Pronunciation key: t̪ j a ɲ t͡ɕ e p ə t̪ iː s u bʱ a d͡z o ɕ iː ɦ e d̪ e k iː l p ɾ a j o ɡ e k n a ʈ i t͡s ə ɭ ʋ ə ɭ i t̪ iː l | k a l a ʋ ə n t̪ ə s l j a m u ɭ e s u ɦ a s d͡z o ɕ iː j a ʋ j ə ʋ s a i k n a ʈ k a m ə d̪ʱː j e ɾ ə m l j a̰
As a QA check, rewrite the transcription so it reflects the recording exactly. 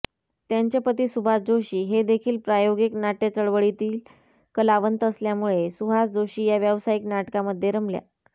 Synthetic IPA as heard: t̪ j a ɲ t͡ɕ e p ə t̪ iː s u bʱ a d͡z o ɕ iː ɦ e d̪ e kʰ iː l p ɾ a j o ɡ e k n a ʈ e t͡s ə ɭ ʋ ə ɭ i t̪ iː l | k ə l a ʋ ə n t̪ ə s l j a m u ɭ e s u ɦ a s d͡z o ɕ iː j a ʋ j ə ʋ s a i k n a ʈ k a m ə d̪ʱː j e ɾ ə m l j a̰